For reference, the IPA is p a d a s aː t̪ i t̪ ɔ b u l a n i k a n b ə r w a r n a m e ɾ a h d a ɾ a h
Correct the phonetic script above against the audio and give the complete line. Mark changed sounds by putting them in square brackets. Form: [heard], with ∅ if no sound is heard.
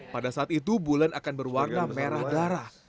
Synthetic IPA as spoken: p a d a s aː t̪ i t̪ [u] b u l a n [a] k a n b ə r w a r n a m e ɾ a h d a ɾ a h

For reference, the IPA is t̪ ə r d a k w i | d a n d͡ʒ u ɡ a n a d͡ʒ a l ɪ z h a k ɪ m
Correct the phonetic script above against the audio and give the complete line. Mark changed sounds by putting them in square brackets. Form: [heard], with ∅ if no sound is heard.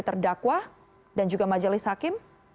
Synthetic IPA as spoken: t̪ ə r d a k w [a] | d a n d͡ʒ u ɡ a [m] a d͡ʒ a l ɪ [s] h a k ɪ m

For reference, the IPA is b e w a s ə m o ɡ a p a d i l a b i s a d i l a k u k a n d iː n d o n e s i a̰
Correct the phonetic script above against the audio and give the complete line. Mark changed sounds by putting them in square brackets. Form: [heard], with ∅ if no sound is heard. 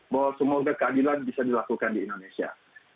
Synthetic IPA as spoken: b [a] w a s ə m o ɡ a [k] a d i l a b i s a d i l a k u k a n d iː n d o n e s i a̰

